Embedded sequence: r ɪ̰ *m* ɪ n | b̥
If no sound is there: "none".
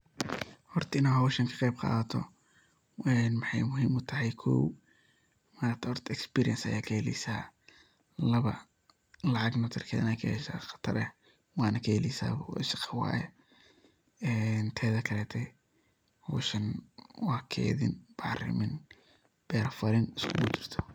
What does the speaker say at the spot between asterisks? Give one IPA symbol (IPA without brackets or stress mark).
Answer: m